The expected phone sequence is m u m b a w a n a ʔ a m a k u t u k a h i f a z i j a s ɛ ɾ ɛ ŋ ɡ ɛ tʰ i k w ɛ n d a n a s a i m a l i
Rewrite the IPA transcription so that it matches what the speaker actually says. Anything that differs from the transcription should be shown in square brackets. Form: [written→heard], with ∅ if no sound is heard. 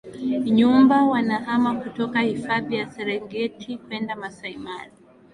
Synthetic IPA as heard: [m→ɲ] u m b a w a n a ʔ a m a k u t [u→ɔ] k a h i f a [z→ð] i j a s ɛ ɾ ɛ ŋ ɡ ɛ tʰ i k w ɛ n d a [n→m] a s a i m a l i